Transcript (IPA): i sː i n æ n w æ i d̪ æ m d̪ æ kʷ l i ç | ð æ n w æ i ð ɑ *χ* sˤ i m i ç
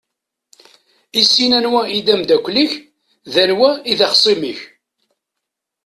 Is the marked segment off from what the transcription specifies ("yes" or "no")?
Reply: no